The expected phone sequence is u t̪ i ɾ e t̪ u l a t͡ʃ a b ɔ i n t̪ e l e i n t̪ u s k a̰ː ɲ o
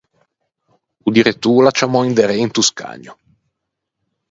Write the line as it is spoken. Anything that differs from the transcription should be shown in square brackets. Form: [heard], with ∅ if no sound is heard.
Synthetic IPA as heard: u [d̪] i ɾ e t̪ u l a t͡ʃ a [m] ɔ i n [d̪] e [ɾ] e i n t̪ u s k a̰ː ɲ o